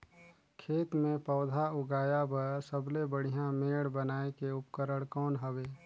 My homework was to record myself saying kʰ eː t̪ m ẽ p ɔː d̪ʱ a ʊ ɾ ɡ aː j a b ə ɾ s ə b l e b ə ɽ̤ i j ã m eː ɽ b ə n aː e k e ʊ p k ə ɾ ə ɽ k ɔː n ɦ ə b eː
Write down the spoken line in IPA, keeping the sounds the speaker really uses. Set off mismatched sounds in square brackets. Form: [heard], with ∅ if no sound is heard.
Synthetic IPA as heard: kʰ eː t̪ m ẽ p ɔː d̪ʱ a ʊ [∅] ɡ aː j a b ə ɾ s ə b l e b ə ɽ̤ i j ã m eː ɽ b ə n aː e k e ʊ p k ə ɾ ə ɽ k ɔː n ɦ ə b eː